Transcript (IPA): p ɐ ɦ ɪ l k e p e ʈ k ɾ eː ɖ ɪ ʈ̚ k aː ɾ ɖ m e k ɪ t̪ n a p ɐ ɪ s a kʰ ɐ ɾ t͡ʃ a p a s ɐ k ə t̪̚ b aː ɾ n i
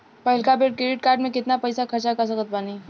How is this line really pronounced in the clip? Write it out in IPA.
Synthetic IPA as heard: p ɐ ɦ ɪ l k a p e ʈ k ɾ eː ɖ ɪ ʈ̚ k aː ɾ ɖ m ẽ k ɪ t̪ n a p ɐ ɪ s a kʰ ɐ ɾ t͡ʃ a k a s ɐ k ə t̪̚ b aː n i

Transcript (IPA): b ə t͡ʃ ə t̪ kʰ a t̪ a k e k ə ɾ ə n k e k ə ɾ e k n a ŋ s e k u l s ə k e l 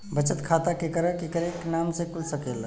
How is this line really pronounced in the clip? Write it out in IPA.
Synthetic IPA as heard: b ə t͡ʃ ə t̪ kʰ a t̪ a k e k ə ɾ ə k e k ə ɾ e k n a m s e k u l s ə k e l

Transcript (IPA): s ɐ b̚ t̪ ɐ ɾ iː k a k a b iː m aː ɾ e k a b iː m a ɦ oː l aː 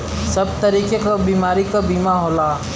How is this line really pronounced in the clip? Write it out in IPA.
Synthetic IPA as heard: s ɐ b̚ t̪ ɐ ɾ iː k e k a b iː m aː ɾ i k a b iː m a ɦ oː l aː

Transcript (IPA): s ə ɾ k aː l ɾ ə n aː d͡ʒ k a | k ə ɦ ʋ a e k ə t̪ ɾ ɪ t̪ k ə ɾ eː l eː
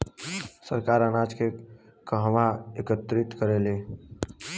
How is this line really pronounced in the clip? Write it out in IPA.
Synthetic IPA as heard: s ə ɾ k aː ɾ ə n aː d͡ʒ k e | k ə ɦ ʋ a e k ə t̪ ɾ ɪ t̪ k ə ɾ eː l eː

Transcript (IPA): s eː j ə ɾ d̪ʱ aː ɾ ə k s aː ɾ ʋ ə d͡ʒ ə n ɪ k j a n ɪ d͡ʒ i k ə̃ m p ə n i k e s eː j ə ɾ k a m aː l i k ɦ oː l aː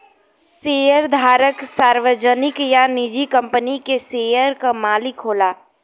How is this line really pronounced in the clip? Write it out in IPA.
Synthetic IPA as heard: s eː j ə ɾ d̪ʱ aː ɾ ə k s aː ɾ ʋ ə d͡ʒ ə n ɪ k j a n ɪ d͡ʒ i k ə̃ m p ə n i k e s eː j ə ɾ k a m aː l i k ɦ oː l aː

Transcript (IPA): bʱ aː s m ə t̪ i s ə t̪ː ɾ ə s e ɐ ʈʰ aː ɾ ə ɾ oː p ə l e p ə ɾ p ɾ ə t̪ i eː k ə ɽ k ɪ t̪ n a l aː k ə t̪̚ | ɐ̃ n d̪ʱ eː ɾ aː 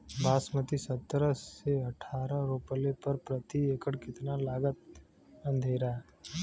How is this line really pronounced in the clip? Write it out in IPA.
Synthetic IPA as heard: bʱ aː s m ə t̪ i s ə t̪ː ɾ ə s e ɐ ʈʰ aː ɾ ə ɾ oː p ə l e p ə ɾ p ɾ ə t̪ i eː k ə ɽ k ɪ t̪ n a l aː ɡ ə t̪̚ | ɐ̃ n d̪ʱ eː ɾ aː

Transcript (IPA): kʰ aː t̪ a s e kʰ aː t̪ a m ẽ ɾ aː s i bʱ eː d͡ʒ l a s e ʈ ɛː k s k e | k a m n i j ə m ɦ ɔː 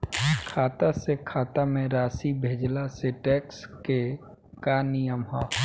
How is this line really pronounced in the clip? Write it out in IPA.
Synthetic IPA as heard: kʰ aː t̪ a s e kʰ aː t̪ a m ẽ ɾ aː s i bʱ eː d͡ʒ l a s e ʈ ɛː k s k e | k a n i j ə m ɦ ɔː

